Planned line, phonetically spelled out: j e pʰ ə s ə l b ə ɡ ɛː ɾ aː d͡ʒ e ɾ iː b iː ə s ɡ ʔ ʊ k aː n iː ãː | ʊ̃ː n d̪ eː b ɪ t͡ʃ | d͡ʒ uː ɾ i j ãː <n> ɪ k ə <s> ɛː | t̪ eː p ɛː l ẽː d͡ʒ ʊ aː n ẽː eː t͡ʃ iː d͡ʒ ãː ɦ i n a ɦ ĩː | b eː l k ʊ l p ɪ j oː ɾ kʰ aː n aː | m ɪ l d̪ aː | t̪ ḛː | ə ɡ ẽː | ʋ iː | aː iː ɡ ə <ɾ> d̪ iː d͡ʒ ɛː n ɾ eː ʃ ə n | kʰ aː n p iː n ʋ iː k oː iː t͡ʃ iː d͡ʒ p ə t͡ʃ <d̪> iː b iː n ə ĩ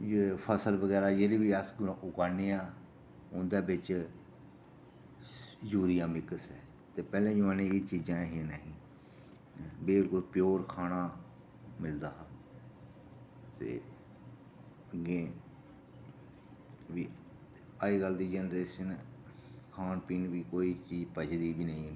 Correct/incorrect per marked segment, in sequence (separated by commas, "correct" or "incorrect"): incorrect, correct, incorrect, correct